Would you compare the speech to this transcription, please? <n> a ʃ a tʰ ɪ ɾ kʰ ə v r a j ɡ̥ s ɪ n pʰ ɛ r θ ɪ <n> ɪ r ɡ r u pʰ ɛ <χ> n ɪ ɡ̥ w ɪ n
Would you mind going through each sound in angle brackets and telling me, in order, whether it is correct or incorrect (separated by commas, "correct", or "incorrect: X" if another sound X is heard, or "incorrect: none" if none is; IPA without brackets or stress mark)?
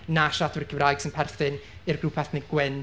correct, correct, incorrect: θ